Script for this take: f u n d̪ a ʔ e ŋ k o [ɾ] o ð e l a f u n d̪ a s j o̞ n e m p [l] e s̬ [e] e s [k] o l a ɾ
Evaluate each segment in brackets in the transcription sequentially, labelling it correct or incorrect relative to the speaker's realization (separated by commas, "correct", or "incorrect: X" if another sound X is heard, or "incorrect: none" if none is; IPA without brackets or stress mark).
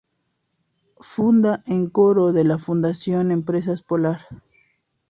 correct, incorrect: ɾ, incorrect: a, incorrect: p